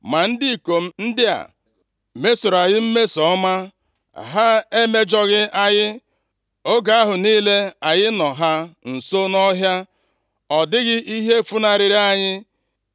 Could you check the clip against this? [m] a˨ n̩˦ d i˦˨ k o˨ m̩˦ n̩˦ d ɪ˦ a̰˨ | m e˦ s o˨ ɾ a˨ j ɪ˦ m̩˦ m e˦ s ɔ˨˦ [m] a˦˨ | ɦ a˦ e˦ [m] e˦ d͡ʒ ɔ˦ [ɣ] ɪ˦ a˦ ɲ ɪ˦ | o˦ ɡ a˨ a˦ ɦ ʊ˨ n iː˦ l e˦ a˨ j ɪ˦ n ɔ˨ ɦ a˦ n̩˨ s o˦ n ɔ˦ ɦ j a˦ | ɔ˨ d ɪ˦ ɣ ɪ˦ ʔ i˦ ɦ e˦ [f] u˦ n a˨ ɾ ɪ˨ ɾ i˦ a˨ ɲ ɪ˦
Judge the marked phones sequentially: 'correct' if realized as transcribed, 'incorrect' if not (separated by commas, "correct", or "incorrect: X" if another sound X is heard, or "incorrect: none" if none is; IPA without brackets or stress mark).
correct, correct, correct, correct, correct